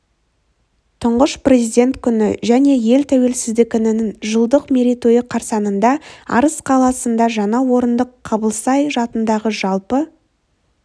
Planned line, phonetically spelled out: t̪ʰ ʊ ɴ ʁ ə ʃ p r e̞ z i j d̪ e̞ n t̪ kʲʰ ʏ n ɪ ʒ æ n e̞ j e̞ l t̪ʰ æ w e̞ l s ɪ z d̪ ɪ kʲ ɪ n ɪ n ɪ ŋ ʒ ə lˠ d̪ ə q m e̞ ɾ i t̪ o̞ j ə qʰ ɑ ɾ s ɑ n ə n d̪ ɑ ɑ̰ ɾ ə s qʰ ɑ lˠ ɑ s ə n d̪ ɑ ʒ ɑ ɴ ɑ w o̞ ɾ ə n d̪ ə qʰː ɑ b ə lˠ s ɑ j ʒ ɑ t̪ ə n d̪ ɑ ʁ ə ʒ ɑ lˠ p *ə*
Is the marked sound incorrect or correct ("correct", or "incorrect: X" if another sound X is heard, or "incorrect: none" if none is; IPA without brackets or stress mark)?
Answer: correct